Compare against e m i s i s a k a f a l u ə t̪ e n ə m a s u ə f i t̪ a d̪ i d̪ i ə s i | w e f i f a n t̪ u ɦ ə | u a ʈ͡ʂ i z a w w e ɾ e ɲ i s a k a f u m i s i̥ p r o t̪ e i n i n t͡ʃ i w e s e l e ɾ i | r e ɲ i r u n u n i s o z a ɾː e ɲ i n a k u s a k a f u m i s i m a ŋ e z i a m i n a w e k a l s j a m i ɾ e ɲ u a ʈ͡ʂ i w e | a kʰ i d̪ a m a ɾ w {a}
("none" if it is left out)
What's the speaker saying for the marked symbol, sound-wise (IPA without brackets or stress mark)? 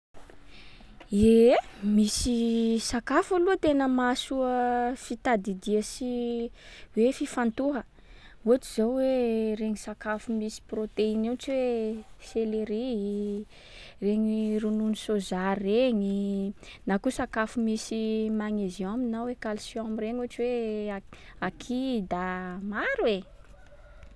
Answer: e